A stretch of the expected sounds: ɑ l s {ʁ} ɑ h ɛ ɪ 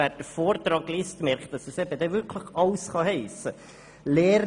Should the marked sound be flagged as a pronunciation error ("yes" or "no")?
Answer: yes